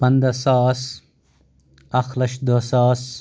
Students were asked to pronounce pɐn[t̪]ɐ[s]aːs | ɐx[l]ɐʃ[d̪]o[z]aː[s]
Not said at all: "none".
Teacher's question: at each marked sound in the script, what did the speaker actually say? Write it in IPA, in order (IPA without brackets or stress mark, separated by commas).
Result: d̪, s, l, d̪, s, s